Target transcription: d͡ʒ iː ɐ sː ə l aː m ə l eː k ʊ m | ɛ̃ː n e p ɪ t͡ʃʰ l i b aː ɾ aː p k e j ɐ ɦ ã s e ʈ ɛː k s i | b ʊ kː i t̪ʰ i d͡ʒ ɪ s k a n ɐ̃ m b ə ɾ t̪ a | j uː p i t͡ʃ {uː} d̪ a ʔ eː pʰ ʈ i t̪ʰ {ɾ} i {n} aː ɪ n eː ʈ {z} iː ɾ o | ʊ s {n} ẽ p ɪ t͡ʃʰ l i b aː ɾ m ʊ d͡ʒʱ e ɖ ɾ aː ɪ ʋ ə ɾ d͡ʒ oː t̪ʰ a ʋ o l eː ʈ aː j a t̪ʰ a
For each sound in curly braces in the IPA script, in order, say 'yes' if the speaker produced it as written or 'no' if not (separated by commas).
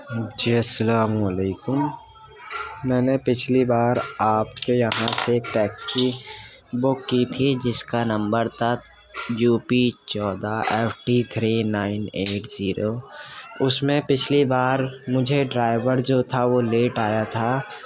no, yes, yes, yes, no